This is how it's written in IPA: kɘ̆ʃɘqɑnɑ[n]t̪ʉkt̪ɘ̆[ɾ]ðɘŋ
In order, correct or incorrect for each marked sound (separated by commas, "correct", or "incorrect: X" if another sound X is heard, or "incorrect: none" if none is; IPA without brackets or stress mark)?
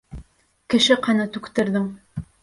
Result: incorrect: none, correct